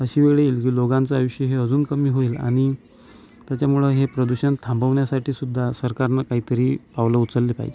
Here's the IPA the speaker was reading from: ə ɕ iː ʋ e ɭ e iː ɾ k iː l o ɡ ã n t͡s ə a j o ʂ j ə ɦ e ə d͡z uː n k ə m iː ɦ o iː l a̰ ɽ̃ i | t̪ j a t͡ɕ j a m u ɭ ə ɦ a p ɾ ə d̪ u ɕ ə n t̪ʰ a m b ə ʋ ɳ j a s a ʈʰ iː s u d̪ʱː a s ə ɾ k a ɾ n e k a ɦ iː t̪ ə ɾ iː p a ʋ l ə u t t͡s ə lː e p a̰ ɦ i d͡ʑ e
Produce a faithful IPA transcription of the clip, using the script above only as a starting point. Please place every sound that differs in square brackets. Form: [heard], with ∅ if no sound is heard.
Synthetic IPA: ə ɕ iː ʋ e ɭ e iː [l] k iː l o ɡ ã n t͡s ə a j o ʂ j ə ɦ e ə d͡z uː n k ə m iː ɦ o iː l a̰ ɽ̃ i | t̪ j a t͡ɕ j a m u ɭ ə ɦ [e] p ɾ ə d̪ u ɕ ə n t̪ʰ a m b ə ʋ ɳ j a s a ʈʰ iː s u d̪ʱː a s ə ɾ k a ɾ n [a] k a ɦ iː t̪ ə ɾ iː p a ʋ l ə u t t͡s ə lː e p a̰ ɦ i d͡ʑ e